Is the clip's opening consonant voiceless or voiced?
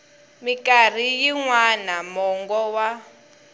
voiced